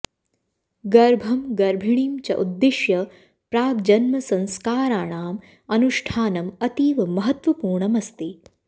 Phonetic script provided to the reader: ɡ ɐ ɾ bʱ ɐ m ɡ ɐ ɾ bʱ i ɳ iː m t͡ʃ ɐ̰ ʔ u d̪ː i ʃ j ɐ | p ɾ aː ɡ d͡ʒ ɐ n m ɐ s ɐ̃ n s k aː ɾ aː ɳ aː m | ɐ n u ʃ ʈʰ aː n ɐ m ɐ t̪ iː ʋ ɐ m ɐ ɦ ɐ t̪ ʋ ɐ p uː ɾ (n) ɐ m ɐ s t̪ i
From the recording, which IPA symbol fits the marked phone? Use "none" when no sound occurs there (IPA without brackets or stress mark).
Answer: ɳ